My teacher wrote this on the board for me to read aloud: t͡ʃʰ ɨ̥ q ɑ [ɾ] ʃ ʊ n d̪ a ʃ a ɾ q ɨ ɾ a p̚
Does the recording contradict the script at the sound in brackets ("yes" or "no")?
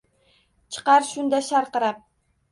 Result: no